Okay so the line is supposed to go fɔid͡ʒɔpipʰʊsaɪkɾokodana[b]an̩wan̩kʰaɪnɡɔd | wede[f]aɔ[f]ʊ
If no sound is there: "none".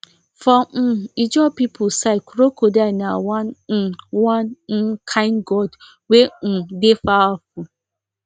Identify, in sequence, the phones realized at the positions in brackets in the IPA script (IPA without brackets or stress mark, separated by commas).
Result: w, f, f